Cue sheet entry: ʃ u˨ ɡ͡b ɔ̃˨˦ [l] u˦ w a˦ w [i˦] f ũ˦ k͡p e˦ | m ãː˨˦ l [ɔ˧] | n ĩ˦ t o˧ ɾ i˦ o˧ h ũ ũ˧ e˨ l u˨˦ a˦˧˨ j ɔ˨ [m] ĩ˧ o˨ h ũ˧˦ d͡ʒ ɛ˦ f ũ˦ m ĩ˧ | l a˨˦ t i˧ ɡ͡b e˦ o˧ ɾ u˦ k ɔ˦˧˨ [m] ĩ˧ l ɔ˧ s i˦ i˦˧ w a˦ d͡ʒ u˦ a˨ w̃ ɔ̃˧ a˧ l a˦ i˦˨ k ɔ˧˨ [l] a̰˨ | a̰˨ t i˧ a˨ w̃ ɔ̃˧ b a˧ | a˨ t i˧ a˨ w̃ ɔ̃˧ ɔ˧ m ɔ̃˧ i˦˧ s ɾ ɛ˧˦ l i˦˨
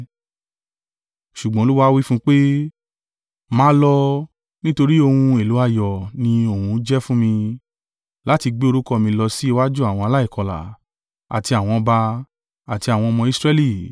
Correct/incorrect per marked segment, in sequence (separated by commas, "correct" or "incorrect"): correct, correct, correct, incorrect, correct, correct